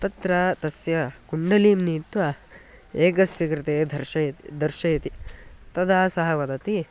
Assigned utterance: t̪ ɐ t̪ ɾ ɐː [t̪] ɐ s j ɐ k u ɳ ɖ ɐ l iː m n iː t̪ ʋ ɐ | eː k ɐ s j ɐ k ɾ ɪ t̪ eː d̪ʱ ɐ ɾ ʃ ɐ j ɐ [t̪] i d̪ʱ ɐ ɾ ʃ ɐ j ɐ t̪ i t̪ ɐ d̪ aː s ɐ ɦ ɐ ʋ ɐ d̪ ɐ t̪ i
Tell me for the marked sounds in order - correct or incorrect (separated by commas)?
correct, correct